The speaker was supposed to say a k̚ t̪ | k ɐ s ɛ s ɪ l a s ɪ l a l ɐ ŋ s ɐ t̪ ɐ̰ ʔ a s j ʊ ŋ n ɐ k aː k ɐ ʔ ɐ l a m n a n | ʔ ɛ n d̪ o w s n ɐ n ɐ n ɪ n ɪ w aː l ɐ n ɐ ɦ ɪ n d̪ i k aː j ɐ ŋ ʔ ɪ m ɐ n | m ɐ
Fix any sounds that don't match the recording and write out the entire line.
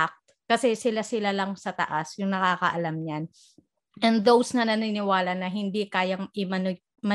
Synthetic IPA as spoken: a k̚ t̪ | k ɐ s ɛ s ɪ l a s ɪ l a l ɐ ŋ s ɐ t̪ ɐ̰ ʔ a s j ʊ ŋ n ɐ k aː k ɐ ʔ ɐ l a m ɲ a n | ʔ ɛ n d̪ o w s n ɐ n ɐ n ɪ n ɪ w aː l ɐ n ɐ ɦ ɪ n d̪ i k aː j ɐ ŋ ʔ ɪ m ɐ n | m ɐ